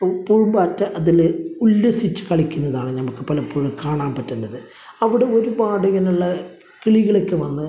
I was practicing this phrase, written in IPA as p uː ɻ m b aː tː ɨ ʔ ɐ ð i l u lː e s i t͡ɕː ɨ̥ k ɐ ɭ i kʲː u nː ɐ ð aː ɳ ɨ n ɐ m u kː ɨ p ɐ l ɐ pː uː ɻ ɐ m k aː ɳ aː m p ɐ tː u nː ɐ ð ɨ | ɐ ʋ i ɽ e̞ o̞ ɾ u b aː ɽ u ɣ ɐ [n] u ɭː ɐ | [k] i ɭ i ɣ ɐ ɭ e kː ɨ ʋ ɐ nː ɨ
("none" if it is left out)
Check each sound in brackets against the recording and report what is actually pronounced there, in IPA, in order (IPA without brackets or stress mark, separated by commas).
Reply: n, k